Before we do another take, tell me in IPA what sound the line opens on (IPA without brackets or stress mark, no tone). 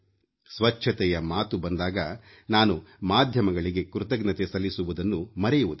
s